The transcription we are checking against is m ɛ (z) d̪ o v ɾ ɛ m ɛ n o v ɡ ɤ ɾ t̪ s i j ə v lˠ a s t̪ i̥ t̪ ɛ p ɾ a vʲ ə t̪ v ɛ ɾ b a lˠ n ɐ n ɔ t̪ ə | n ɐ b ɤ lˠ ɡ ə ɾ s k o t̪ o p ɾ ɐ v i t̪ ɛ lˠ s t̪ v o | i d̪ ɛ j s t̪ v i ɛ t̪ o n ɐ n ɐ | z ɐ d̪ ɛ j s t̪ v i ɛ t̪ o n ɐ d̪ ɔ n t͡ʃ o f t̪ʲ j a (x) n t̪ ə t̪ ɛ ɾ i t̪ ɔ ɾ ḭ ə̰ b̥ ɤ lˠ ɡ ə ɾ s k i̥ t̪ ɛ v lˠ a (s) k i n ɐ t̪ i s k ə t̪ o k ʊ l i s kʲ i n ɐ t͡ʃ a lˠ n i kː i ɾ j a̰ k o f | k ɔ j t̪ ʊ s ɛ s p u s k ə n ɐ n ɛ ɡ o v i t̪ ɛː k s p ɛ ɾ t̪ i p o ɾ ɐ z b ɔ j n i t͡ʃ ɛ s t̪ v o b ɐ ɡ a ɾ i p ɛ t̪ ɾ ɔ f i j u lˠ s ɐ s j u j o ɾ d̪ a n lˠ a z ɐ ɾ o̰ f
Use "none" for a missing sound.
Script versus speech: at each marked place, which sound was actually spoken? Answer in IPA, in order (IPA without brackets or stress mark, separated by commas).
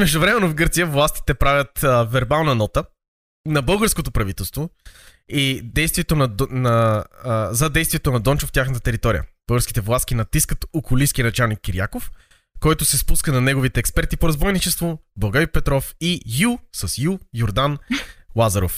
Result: ʒ, x, s